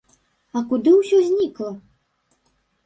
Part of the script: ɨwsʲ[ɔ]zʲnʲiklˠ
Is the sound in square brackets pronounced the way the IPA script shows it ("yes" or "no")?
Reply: yes